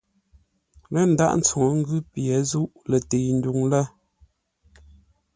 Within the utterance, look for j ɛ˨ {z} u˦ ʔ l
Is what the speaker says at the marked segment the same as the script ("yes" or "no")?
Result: yes